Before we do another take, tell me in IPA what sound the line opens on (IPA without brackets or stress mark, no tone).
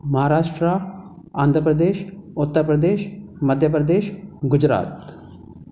m